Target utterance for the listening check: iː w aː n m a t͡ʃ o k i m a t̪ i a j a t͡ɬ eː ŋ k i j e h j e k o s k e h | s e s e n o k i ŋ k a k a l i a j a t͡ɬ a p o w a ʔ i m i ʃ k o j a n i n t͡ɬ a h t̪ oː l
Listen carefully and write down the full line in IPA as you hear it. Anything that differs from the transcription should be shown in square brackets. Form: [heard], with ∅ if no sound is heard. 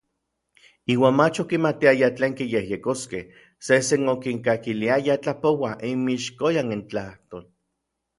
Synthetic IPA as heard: iː w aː n m a t͡ʃ o k i m a t̪ i a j a t͡ɬ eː ŋ k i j e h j e k o s k e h | s e s e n o k i ŋ k a k [i] l i a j a t͡ɬ a p o w a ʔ i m i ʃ k o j a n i n t͡ɬ a h t̪ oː l